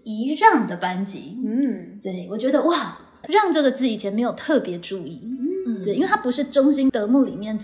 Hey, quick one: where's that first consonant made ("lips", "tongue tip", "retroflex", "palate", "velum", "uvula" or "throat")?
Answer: retroflex